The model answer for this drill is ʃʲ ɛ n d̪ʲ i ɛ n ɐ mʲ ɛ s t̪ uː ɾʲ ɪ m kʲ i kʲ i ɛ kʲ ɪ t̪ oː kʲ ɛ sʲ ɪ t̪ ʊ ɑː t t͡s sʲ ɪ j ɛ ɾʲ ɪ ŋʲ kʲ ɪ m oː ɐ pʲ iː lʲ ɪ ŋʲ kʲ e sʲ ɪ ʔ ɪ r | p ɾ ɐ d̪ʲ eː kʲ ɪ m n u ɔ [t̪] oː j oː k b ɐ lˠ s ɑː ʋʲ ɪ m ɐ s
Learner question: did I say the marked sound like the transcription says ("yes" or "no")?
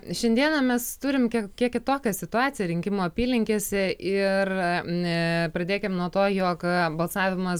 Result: yes